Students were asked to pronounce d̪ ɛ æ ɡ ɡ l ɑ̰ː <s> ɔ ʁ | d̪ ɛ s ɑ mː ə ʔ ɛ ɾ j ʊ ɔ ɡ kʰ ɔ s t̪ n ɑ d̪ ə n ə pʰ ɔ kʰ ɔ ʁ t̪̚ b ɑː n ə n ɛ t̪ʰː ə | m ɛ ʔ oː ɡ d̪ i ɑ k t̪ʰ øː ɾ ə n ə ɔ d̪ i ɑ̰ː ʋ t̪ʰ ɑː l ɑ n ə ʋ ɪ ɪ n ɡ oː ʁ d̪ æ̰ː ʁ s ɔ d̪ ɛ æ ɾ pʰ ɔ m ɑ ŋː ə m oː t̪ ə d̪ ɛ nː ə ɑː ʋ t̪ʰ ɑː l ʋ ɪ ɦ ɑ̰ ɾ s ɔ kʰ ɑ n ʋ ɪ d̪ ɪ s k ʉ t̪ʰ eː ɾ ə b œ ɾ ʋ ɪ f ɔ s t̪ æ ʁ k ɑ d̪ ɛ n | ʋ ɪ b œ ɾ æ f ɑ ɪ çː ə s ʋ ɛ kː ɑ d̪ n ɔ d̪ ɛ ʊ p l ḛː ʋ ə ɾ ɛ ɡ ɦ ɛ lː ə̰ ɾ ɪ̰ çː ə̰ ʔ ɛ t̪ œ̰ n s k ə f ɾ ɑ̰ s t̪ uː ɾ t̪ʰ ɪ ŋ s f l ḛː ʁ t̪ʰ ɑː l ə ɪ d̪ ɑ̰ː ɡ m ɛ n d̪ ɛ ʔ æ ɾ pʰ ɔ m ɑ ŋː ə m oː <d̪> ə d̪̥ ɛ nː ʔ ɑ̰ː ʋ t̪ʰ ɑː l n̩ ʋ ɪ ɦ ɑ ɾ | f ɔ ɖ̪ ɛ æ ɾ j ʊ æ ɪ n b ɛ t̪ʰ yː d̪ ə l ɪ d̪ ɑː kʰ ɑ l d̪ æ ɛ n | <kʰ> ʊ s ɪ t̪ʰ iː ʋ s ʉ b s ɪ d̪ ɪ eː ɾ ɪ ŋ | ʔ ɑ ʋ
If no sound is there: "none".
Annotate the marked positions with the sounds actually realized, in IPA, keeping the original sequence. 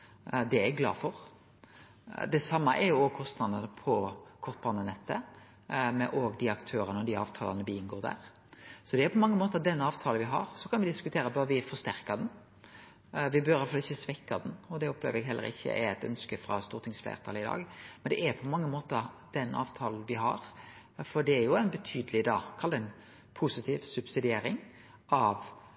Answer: f, t̪, pʰ

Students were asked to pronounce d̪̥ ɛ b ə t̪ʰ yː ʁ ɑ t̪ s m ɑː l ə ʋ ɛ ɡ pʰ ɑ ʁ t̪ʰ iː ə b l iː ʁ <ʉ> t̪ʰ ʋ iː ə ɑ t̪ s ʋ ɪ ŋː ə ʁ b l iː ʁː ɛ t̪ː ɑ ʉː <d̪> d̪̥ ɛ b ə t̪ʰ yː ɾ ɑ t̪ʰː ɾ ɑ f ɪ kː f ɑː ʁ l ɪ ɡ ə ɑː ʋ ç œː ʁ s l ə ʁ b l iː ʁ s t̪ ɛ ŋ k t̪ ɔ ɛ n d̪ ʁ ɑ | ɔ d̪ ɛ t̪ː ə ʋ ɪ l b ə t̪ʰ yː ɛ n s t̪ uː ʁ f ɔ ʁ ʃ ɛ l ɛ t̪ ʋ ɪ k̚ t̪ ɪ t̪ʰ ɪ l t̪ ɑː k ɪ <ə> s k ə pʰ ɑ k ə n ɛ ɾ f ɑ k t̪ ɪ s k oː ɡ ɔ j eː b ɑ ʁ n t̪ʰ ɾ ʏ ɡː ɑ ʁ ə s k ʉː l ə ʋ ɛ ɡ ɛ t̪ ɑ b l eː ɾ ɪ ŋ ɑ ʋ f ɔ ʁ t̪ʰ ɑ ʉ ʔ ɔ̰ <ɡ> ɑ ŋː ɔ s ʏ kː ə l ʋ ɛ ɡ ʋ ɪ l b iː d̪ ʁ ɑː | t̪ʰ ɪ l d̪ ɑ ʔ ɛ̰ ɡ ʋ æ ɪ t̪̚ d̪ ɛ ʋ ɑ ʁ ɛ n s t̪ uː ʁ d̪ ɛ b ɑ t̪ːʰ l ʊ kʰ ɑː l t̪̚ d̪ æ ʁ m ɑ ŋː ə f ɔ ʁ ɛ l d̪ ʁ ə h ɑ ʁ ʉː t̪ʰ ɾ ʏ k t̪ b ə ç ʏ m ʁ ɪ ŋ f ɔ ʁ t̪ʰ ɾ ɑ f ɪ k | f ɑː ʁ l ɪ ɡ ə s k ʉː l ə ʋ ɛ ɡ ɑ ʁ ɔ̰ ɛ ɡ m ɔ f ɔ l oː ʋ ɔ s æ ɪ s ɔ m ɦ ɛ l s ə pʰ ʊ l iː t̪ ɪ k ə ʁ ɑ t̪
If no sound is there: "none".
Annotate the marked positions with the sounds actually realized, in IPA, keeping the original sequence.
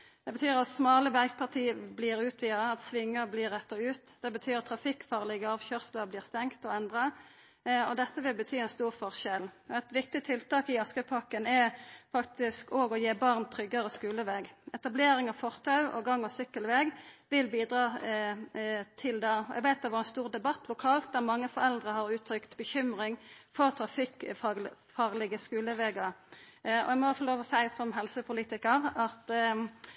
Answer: ʉː, t̪, ɑ, ɡ

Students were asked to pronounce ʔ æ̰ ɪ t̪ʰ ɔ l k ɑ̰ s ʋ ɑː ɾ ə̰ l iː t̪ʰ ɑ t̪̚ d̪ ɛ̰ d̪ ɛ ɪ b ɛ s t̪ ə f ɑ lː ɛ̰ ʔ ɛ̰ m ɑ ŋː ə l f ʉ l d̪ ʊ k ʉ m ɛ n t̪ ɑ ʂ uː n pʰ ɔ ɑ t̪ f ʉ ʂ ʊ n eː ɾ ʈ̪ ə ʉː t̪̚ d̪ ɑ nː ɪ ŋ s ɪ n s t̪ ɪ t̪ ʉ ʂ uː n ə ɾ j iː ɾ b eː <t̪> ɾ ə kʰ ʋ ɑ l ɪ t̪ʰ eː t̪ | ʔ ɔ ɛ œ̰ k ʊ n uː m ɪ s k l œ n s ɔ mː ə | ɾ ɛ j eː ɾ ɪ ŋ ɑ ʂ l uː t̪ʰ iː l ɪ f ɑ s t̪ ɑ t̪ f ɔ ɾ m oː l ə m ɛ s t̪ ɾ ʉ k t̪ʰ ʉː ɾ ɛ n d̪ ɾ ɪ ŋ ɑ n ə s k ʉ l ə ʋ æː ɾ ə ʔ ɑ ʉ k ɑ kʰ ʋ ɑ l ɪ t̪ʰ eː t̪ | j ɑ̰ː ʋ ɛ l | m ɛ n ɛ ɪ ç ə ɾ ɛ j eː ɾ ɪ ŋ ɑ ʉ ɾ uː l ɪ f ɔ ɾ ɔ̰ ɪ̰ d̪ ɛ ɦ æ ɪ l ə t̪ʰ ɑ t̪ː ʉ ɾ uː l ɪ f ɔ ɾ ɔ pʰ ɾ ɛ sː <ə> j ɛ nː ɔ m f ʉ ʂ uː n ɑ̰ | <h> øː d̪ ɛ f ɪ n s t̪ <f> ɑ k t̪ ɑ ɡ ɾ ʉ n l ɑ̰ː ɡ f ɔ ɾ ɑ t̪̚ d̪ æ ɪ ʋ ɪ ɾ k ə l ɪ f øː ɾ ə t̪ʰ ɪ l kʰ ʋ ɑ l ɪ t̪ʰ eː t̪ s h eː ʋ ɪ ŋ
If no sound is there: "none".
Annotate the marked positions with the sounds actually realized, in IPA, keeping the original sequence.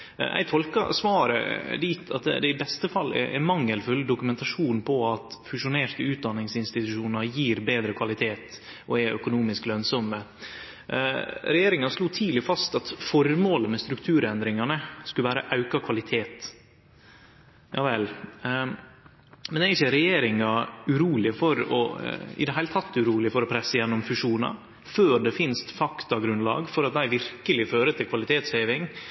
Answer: d̪, ə, f, f

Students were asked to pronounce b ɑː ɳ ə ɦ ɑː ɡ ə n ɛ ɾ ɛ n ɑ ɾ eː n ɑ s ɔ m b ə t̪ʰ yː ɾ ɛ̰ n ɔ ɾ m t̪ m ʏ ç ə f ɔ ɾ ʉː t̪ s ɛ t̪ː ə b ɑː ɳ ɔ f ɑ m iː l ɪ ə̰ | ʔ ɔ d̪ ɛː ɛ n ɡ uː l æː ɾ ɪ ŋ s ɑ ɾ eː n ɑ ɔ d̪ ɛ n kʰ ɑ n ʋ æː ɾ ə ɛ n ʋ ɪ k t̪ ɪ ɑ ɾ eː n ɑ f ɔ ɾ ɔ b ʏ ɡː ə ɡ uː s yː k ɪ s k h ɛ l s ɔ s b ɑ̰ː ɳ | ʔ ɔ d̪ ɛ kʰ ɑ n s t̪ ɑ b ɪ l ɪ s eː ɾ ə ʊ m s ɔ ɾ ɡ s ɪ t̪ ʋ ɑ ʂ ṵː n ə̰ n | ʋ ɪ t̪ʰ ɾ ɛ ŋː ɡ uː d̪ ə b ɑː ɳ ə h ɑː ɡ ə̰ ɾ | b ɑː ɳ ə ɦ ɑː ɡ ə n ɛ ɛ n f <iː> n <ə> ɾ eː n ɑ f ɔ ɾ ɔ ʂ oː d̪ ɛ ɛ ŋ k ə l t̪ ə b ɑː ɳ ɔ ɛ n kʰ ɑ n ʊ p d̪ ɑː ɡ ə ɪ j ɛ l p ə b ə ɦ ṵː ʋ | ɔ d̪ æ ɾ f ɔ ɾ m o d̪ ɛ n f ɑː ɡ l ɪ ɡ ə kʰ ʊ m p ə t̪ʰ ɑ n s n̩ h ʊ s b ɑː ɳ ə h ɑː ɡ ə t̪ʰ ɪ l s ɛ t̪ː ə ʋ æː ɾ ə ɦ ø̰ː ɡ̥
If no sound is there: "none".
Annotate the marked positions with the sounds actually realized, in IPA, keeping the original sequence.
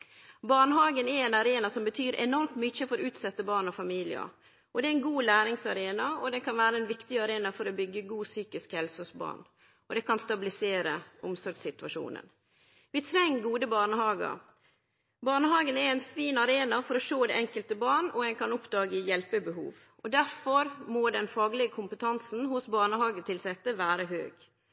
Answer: iː, ɑ

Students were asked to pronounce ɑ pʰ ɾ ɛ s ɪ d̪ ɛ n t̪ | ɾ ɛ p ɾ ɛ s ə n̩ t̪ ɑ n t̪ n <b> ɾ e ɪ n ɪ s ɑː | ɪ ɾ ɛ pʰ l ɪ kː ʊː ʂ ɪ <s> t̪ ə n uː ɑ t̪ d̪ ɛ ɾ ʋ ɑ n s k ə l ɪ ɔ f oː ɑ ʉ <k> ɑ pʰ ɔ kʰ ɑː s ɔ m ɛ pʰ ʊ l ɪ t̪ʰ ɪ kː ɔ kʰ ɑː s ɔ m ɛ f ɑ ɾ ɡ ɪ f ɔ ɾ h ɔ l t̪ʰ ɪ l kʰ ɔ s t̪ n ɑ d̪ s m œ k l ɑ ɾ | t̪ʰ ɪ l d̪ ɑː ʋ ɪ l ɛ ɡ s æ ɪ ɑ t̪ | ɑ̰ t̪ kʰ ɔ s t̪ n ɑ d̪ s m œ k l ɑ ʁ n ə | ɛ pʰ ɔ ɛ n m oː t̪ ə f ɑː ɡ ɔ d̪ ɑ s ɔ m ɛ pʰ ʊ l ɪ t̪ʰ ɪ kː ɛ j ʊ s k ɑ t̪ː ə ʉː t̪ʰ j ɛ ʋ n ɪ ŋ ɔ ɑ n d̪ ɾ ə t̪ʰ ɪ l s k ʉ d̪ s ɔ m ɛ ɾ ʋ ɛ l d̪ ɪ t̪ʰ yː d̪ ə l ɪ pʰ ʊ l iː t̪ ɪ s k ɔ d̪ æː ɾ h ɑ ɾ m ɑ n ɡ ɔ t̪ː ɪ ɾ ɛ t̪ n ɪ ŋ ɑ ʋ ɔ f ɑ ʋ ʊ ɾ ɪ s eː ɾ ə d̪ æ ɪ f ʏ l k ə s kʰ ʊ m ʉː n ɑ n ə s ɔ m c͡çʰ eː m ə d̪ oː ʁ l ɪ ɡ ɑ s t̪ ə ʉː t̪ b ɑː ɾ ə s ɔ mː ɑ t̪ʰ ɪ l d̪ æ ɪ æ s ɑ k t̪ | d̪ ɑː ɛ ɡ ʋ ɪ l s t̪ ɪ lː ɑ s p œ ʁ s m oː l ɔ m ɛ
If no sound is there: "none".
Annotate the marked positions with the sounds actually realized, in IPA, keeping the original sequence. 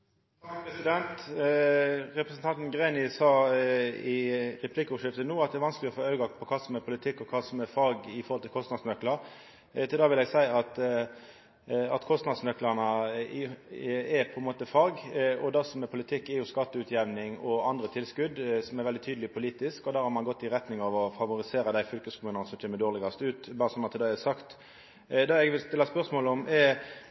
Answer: ɡ, f, ɡ

